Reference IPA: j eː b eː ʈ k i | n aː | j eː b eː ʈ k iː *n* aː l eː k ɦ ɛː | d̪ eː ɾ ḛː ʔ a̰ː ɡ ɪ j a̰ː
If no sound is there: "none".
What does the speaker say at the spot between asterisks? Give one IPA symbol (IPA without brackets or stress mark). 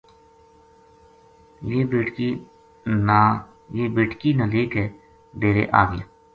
n